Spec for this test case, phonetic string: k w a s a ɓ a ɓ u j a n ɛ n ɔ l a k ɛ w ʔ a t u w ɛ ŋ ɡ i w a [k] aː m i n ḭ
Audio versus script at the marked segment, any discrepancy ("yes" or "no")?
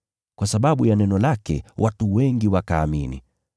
no